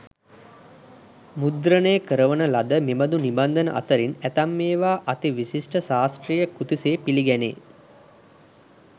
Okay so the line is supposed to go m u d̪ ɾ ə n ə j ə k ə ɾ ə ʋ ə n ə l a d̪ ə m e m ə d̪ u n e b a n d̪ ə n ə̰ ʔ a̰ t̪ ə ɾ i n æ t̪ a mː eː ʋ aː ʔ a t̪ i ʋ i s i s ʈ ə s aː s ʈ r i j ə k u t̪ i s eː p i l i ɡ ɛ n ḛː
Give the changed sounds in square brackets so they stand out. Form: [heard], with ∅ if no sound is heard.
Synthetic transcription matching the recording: m u d̪ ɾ ə n ə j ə k ə ɾ ə ʋ ə n ə l a d̪ ə m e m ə d̪ u n [i] b a n d̪ ə n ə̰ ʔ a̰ t̪ ə ɾ i n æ t̪ a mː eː ʋ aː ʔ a t̪ i ʋ i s i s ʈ ə s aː s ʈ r i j ə k u t̪ i s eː p i l i ɡ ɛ n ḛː